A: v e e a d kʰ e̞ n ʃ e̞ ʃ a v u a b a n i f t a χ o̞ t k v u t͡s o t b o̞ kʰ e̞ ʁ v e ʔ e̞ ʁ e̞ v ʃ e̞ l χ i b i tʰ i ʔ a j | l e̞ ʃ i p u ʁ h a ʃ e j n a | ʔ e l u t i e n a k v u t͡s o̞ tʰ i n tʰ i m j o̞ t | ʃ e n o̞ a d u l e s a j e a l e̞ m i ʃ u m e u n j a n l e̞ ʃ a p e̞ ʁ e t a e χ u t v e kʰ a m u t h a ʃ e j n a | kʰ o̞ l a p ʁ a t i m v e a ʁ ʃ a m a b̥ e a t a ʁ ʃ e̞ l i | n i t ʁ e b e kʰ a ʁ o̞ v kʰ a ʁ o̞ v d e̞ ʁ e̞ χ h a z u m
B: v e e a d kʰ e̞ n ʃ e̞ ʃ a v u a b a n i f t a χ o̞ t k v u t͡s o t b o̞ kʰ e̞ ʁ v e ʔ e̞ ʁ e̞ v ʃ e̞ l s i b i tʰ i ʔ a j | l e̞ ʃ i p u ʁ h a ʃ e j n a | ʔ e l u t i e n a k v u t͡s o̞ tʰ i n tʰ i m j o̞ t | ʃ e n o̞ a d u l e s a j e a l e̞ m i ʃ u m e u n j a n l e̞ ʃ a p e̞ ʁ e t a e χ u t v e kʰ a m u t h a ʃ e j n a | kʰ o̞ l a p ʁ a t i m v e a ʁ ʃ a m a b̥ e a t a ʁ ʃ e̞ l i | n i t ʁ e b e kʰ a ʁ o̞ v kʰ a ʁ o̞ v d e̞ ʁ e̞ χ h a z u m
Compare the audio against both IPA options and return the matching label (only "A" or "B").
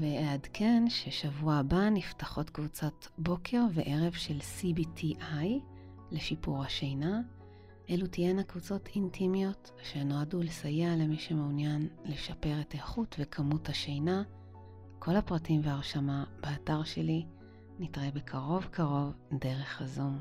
B